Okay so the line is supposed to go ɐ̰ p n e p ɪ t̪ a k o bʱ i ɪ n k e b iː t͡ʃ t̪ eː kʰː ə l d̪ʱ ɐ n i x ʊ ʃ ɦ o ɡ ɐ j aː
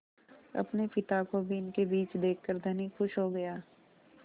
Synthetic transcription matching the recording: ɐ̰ p n e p ɪ t̪ a k o bʱ i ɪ n k e b iː t͡ʃ d̪ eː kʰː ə ɾ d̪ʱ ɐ n i x ʊ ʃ ɦ o ɡ ɐ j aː